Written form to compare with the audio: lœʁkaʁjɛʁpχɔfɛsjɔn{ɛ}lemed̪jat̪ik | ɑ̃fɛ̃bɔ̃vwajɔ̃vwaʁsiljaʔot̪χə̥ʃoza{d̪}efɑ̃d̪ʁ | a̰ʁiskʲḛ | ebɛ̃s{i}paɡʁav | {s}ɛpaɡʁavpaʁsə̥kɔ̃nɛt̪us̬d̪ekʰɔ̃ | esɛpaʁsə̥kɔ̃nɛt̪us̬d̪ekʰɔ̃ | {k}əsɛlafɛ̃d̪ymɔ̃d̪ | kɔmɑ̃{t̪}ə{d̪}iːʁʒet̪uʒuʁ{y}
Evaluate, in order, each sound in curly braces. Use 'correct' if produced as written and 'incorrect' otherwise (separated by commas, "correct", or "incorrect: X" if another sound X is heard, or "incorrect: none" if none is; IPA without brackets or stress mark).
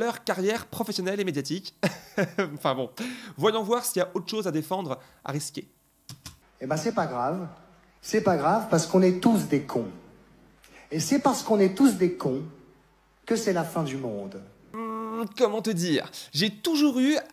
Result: correct, correct, incorrect: ɛ, correct, correct, correct, correct, correct